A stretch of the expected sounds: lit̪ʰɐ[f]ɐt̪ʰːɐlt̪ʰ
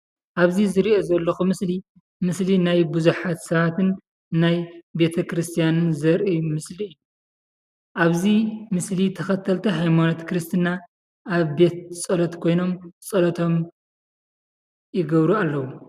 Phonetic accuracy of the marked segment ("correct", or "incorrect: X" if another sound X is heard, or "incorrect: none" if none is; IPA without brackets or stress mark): incorrect: x